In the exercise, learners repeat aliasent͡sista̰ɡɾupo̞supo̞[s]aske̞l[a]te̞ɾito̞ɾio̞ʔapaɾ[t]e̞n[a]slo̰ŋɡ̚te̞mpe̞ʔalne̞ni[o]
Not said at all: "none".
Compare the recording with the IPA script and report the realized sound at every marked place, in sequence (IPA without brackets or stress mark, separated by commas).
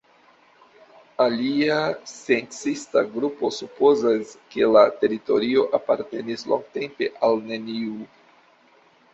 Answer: z, a, t, i, u